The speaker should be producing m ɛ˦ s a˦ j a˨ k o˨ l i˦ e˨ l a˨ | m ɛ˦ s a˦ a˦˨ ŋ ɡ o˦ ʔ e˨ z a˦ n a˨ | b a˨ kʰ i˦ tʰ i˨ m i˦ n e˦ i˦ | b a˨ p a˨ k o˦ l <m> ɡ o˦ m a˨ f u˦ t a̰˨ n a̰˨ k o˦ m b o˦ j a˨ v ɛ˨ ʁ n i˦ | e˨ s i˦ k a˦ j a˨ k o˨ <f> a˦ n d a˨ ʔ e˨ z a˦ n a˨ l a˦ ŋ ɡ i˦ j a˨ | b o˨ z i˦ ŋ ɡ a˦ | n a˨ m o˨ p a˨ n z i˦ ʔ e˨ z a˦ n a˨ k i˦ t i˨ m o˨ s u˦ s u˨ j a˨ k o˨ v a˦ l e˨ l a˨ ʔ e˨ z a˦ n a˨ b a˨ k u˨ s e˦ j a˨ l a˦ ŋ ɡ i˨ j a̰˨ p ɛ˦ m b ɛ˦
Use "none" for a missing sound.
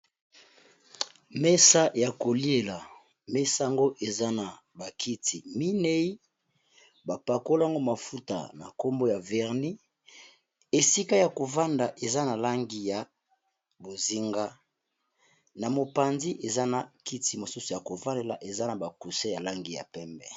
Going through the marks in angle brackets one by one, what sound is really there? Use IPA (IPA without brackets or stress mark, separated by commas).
ŋ, v